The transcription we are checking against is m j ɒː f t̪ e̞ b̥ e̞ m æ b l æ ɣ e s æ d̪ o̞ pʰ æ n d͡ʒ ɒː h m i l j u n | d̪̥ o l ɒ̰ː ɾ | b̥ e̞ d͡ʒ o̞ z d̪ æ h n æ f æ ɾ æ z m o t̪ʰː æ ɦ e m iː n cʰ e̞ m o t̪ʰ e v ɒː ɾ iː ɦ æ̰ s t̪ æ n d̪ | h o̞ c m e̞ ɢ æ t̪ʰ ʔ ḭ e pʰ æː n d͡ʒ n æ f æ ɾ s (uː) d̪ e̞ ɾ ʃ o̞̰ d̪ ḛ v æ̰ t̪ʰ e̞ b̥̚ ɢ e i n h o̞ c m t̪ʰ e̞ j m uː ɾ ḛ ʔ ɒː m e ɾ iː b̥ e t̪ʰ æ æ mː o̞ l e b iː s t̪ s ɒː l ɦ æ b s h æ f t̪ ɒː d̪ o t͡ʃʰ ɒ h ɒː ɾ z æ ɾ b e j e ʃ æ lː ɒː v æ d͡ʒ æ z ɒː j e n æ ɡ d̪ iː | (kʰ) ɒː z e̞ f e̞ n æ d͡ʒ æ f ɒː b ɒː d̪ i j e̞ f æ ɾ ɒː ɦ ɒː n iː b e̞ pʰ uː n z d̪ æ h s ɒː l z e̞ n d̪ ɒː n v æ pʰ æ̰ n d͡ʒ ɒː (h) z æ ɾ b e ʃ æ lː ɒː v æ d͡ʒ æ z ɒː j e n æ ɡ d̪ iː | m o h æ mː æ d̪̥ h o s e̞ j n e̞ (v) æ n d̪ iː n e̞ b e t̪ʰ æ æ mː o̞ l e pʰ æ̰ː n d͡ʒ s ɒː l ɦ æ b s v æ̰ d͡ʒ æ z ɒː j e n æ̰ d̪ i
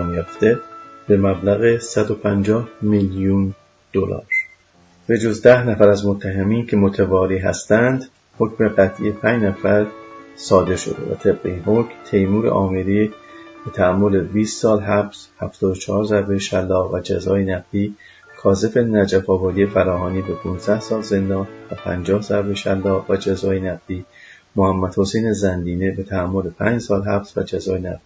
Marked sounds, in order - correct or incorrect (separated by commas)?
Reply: incorrect, correct, correct, incorrect